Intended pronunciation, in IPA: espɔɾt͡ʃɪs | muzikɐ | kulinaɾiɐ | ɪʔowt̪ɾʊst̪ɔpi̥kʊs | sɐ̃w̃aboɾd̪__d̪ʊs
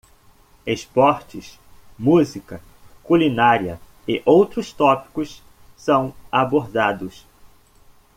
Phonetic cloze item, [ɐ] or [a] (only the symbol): a